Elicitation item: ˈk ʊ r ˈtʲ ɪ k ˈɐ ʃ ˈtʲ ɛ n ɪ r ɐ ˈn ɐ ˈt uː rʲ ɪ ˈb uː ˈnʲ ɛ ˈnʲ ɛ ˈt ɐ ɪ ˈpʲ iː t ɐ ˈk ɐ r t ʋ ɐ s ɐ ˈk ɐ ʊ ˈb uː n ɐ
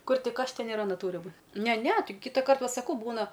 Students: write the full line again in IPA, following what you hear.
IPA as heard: ˈk ʊ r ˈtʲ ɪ k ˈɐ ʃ ˈtʲ ɛ n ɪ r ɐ ˈn ɐ ˈt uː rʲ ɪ ˈb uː ˈnʲ ɛ ˈnʲ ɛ ˈt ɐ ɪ ˈkʲ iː t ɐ ˈk ɐ r t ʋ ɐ s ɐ ˈk ɐ ʊ ˈb uː n ɐ

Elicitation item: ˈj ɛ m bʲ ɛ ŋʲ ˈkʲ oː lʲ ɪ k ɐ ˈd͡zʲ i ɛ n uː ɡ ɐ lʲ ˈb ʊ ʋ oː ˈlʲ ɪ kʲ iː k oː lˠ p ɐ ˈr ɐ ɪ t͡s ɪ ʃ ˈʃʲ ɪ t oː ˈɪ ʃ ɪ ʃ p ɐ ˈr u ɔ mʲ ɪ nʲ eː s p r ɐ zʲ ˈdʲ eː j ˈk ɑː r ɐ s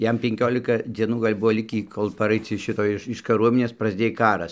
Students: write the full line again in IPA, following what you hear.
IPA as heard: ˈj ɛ m pʲ ɛ ŋʲ ˈkʲ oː lʲ ɪ k ɐ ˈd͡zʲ i ɛ n uː ɡ ɐ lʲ ˈb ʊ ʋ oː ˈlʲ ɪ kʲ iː k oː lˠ p ɐ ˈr ɐ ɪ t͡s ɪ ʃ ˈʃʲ ɪ t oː ˈɪ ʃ ɪ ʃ k ɐ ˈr u ɔ mʲ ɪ nʲ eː s p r ɐ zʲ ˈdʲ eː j ˈk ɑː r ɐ s

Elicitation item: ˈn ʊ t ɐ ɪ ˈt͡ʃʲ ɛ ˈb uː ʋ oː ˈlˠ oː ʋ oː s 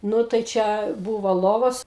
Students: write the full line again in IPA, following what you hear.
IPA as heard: ˈn ʊ t ɐ ɪ ˈt͡ʃʲ ɛ ˈb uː ʋ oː ˈlˠ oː ʋ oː s

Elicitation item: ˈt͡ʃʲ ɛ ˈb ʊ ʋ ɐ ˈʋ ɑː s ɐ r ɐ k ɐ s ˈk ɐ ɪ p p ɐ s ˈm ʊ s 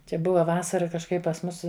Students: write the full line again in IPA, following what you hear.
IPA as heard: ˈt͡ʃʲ ɛ ˈb ʊ ʋ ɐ ˈʋ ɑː s ɐ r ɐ k ɐ ʃ ˈk ɐ ɪ p p ɐ s ˈm ʊ s

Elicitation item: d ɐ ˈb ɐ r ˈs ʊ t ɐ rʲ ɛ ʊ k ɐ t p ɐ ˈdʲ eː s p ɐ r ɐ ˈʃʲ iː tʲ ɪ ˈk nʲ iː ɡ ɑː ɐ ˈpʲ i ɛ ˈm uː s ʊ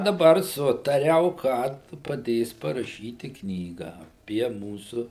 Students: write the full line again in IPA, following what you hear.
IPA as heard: d ɐ ˈb ɐ r ˈs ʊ t ɐ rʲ ɛ ʊ k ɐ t p ɐ ˈdʲ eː s p ɐ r ɐ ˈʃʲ iː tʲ ɪ ˈk nʲ iː ɡ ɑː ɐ ˈpʲ i ɛ ˈm uː s ʊ

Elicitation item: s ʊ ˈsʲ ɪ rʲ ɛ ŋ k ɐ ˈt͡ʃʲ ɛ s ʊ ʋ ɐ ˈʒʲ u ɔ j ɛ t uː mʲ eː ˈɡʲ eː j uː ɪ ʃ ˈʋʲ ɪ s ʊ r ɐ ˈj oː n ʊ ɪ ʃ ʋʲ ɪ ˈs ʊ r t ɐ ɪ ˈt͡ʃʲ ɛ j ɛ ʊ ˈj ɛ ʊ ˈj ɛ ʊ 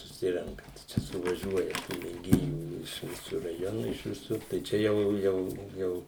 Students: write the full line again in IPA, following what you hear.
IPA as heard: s ʊ ˈsʲ ɪ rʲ ɛ ŋ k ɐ ˈt͡ʃʲ ɛ s ʊ ʋ ɐ ˈʒʲ u ɔ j ɛ t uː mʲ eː ˈɡʲ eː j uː ɪ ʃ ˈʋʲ ɪ s ʊ r ɐ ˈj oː n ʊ ɪ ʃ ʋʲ ɪ ˈs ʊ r t ɐ ɪ ˈt͡ʃʲ ɛ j ɛ ʊ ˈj ɛ ʊ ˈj ɛ ʊ

